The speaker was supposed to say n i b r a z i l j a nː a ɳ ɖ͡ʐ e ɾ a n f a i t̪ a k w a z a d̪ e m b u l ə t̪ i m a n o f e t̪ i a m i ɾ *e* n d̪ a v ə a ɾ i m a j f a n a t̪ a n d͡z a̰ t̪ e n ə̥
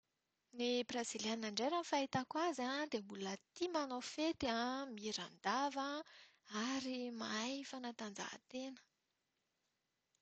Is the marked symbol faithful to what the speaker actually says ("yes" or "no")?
no